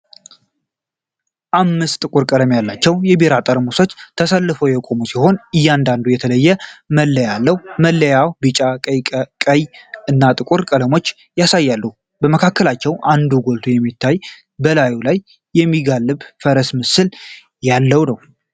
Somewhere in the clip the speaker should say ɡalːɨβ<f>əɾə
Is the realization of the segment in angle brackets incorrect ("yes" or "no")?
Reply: no